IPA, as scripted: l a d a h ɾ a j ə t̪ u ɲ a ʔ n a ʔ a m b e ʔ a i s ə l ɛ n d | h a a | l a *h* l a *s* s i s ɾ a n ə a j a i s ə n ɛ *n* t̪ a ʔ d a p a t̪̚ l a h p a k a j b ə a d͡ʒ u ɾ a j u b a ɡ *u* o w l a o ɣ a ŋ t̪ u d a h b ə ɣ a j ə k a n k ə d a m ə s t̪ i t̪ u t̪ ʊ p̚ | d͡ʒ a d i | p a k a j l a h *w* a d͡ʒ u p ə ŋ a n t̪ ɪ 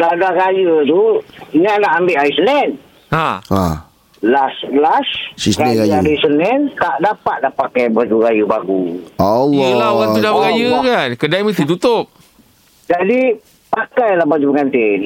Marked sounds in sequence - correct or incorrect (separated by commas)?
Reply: incorrect, correct, correct, correct, incorrect